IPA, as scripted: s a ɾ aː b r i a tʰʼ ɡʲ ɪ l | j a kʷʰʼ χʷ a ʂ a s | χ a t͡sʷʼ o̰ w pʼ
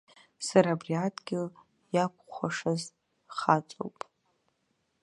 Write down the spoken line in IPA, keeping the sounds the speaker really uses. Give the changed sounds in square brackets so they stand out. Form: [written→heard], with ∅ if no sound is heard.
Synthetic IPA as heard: s a ɾ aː b r i a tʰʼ ɡʲ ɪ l | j a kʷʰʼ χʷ a ʂ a [s→z] | χ a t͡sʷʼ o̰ w pʼ